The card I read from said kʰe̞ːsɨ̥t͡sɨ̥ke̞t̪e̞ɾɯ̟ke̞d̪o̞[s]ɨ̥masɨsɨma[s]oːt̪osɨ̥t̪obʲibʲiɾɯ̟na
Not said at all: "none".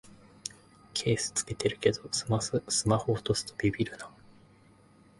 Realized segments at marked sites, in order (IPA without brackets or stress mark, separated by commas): s, h